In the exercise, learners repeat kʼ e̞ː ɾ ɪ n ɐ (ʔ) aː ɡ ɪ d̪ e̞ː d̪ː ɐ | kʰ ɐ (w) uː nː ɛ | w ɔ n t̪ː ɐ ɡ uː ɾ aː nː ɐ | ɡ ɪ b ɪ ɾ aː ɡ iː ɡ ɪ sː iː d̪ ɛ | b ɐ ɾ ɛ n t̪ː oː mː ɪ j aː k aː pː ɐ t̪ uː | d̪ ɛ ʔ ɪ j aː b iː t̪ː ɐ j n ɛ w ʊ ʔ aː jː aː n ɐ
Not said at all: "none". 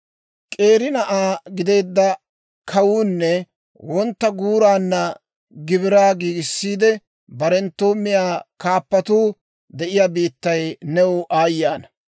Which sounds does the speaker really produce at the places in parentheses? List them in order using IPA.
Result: ʔ, w

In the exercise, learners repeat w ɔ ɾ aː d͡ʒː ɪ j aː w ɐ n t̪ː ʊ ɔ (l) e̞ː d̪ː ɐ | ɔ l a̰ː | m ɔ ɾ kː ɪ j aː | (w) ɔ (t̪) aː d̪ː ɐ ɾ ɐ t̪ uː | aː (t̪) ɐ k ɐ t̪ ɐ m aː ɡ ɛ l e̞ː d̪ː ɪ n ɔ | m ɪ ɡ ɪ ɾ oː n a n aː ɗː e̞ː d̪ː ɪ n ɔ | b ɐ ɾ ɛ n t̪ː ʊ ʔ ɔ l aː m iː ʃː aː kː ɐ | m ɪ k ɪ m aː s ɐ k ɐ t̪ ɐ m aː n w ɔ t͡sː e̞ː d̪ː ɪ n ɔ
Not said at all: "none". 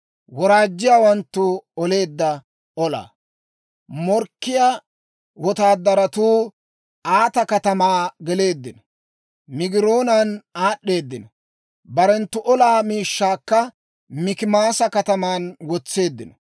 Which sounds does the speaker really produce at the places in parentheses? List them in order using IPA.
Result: l, w, t̪, t̪

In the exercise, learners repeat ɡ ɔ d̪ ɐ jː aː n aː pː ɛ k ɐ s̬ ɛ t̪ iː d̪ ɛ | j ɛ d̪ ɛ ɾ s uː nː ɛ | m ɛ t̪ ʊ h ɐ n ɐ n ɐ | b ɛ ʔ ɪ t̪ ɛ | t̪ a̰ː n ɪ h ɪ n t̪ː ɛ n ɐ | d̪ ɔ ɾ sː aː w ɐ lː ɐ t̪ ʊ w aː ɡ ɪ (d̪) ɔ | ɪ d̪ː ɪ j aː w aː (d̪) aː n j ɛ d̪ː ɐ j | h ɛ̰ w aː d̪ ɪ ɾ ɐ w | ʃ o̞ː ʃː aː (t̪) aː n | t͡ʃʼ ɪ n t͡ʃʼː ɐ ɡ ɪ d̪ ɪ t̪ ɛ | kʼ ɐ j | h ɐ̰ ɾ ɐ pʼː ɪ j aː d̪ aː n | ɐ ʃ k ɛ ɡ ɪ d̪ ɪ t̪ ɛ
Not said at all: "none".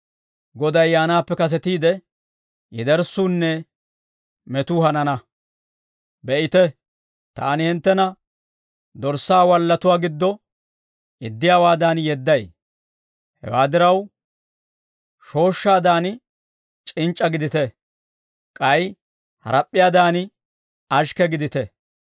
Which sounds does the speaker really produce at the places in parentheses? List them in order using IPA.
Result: d̪ː, d̪, d̪

